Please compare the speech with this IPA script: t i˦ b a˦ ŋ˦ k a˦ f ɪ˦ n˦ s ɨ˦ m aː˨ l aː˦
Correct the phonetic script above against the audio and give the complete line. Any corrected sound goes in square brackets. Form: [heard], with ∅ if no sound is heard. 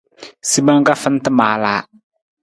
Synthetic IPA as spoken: [s] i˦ b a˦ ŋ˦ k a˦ f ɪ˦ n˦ [t] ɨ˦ m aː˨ l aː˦